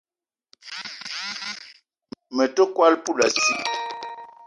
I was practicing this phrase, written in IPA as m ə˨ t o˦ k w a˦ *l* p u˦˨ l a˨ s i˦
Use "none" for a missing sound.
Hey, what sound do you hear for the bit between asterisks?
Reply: l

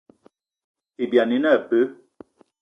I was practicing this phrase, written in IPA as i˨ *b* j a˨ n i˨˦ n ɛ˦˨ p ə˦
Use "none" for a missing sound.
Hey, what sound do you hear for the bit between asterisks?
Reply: b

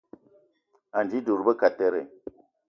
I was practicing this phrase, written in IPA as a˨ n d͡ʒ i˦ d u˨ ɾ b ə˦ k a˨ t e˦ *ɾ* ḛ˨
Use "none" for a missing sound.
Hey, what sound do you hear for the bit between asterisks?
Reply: ɾ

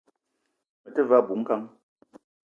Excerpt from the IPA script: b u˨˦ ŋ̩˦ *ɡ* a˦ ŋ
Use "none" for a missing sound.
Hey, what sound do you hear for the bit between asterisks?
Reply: k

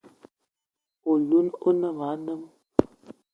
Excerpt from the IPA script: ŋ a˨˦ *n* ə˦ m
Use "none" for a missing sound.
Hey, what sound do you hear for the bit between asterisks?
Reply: n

